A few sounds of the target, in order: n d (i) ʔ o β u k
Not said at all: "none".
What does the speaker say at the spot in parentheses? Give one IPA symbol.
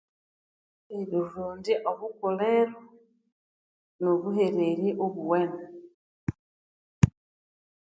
i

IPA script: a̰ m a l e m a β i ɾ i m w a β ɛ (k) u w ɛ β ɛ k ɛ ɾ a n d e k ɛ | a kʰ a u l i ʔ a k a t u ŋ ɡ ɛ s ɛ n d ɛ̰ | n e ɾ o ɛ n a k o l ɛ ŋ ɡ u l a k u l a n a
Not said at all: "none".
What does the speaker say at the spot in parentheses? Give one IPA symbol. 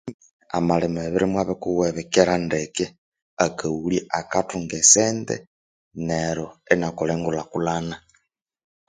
k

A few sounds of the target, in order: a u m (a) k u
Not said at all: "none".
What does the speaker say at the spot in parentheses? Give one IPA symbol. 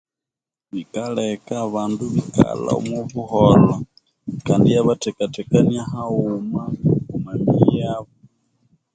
a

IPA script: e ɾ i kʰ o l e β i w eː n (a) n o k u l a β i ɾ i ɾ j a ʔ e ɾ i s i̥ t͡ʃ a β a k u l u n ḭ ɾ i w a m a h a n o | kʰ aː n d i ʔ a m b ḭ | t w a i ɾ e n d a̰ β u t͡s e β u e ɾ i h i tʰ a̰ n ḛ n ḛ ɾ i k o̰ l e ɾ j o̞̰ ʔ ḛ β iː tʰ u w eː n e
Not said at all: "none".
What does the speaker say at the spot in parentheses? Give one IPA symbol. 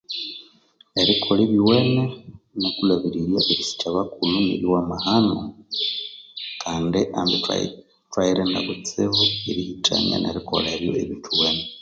e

